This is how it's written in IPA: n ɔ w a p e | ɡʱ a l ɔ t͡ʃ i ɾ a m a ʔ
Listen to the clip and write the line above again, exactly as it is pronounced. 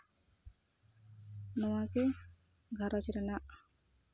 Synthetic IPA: n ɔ w a k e | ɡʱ a ɾ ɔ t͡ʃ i ɾ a n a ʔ